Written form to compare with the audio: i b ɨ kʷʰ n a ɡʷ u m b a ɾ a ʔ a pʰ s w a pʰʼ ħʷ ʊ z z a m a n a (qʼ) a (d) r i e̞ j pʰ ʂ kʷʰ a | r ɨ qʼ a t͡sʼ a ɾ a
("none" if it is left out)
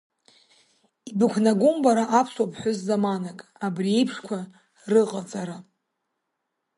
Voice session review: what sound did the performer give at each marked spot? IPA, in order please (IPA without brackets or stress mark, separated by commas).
kʼ, b